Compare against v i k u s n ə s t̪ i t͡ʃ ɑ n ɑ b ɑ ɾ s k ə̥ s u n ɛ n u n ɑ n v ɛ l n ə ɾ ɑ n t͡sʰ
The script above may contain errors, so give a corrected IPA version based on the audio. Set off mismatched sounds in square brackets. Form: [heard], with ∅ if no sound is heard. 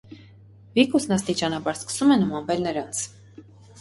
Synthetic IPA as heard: v i k u s n [ɑ] s t̪ i t͡ʃ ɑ n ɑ b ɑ ɾ s k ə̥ s u [m] ɛ n u [m] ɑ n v ɛ l n ə ɾ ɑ n t͡sʰ